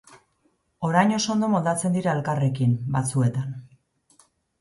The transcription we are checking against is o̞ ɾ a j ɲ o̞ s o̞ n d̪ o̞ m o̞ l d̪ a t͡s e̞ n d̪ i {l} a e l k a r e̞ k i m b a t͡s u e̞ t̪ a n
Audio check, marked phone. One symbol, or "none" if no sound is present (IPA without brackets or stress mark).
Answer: ɾ